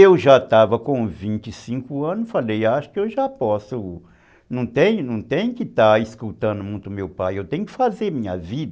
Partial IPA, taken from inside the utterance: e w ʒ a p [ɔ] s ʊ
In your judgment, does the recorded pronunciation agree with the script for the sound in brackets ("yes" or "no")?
yes